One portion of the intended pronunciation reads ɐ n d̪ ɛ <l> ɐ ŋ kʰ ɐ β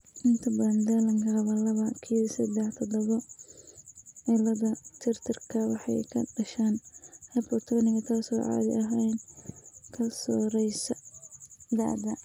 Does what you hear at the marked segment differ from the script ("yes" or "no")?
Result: no